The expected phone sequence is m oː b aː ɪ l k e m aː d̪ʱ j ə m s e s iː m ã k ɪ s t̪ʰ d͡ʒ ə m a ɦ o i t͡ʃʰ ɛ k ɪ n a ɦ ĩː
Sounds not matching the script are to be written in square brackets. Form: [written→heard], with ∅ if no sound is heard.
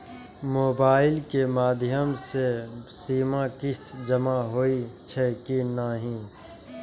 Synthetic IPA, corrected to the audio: m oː b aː ɪ l k e m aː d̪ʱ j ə m s e s iː m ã k ɪ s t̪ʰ d͡ʒ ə m a ɦ o i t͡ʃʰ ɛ k [ɪ→i] n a ɦ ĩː